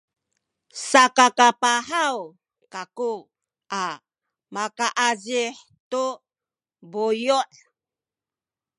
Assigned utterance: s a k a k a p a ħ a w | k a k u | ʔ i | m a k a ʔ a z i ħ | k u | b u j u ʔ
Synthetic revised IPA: s a k a k a p a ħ a w | k a k u | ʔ a | m a k a ʔ a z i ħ | t u | b u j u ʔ